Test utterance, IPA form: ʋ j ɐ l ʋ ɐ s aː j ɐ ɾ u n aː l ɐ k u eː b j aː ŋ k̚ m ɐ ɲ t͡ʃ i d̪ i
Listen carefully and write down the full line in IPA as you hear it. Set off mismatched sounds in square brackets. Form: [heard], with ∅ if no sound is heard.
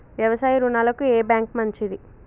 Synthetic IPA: ʋ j ɐ [∅] ʋ ɐ s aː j ɐ ɾ u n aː l ɐ k u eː b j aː ŋ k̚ m ɐ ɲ t͡ʃ i d̪ i